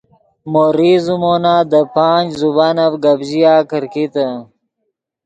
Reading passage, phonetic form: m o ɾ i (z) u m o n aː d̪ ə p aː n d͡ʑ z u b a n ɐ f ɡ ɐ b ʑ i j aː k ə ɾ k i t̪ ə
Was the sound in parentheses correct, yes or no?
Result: yes